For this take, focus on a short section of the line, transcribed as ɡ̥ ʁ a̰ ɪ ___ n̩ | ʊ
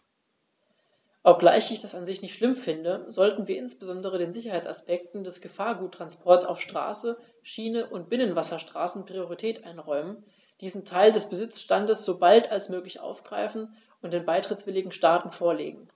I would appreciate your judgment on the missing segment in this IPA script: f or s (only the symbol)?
f